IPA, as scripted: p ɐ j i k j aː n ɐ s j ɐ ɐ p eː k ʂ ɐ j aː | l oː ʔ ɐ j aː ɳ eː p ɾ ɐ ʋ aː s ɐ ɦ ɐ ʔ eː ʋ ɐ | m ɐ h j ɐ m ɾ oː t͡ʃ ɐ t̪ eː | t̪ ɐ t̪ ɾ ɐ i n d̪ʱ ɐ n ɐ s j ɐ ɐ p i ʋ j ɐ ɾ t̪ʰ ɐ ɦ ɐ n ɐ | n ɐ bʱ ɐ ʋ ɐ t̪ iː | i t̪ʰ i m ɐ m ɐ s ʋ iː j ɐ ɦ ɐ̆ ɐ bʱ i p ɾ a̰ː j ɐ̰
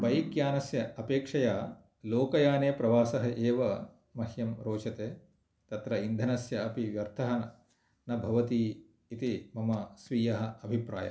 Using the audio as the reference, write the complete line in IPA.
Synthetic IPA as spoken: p ɐ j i k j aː n ɐ s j ɐ ɐ p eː k ʂ ɐ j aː | l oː k ɐ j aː n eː p ɾ ɐ ʋ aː s ɐ ɦ ɐ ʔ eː ʋ ɐ | m ɐ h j ɐ m ɾ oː t͡ʃ ɐ t̪ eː | t̪ ɐ t̪ ɾ ɐ i n d̪ʱ ɐ n ɐ s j ɐ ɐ p i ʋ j ɐ ɾ t̪ʰ ɐ ɦ ɐ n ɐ | n ɐ bʱ ɐ ʋ ɐ t̪ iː | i t̪ i m ɐ m ɐ s ʋ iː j ɐ ɦ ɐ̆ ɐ bʱ i p ɾ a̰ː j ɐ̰